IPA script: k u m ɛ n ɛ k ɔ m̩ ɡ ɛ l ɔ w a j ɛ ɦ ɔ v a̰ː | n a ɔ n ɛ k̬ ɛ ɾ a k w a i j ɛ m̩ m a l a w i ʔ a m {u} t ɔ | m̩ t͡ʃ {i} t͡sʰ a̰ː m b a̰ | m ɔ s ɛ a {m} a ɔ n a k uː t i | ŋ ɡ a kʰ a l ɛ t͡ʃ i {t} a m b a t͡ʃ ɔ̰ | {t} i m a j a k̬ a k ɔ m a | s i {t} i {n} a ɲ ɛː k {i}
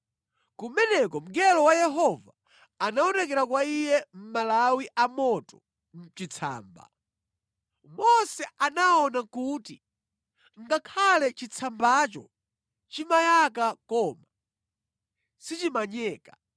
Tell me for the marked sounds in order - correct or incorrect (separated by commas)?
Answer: incorrect, correct, incorrect, incorrect, incorrect, incorrect, incorrect, incorrect